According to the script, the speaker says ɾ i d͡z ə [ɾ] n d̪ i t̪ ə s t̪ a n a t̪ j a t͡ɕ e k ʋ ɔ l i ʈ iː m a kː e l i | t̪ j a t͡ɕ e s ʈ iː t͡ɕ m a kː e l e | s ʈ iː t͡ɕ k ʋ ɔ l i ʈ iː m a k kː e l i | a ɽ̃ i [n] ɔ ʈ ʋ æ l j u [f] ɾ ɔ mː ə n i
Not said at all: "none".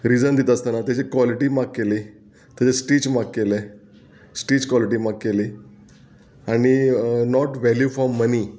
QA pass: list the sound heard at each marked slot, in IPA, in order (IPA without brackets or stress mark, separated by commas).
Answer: none, n, f